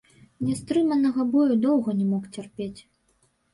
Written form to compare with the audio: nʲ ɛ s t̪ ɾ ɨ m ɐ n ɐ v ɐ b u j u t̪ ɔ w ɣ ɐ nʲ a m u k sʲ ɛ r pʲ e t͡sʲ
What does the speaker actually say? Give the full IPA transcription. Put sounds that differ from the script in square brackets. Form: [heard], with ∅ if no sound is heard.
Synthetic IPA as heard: nʲ ɛ s t̪ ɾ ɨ m ɐ n ɐ [ɣ] ɐ b [ɔ] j u [d̪] ɔ w ɣ ɐ nʲ [ɛ] m [ɔ] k [t͡sʲ] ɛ r pʲ e t͡sʲ